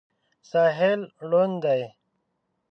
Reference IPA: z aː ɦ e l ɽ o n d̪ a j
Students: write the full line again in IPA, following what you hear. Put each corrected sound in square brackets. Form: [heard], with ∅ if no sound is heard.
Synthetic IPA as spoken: [s] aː ɦ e l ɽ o n d̪ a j